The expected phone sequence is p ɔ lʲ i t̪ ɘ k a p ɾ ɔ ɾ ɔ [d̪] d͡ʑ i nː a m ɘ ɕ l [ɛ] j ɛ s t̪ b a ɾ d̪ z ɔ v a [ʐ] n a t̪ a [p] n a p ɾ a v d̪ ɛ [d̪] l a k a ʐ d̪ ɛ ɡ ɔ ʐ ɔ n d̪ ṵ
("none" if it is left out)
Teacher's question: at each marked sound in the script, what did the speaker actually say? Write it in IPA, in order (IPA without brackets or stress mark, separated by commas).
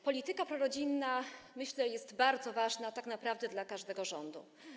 none, ɛ, ʐ, k, d̪